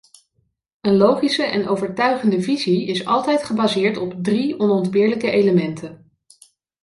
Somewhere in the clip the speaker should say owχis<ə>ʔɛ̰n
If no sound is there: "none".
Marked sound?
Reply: ə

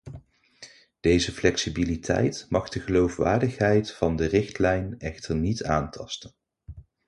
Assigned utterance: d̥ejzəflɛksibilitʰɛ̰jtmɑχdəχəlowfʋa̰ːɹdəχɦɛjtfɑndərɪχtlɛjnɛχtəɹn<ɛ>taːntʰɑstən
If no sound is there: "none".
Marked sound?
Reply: i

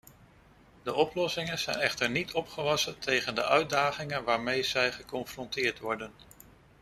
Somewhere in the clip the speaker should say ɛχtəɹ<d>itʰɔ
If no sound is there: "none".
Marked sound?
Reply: n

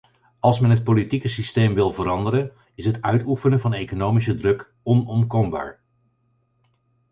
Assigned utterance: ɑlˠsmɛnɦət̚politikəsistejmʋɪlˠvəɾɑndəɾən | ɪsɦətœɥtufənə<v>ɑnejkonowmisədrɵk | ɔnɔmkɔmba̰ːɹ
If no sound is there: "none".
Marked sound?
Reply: v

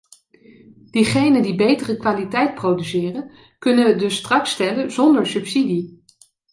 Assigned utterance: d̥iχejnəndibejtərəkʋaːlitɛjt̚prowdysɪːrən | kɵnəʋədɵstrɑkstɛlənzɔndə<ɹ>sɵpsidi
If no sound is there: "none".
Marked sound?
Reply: ɹ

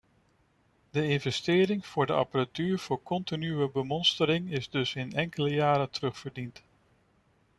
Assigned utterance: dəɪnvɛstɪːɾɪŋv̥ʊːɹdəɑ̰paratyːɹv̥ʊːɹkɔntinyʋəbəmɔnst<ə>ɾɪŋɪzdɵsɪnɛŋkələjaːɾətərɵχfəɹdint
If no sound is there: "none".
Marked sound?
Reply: ə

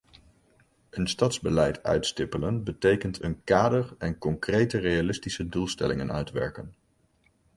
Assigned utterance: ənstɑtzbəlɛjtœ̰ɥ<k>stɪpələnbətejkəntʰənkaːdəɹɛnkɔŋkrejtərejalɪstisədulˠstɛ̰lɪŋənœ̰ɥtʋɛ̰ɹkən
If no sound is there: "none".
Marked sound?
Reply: t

